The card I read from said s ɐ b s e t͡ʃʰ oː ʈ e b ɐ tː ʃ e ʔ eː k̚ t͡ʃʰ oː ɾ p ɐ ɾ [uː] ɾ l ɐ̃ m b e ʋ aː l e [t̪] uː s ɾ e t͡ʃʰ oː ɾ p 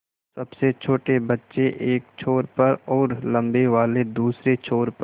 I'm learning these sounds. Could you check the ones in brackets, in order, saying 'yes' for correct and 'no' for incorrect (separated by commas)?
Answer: no, no